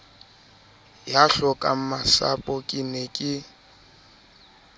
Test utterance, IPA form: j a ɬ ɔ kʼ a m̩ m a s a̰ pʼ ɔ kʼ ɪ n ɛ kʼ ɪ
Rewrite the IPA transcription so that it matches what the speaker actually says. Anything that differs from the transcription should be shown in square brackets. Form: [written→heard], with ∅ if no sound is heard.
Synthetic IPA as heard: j a ɬ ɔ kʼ a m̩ m a s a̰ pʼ ɔ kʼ ɪ n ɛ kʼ ɪ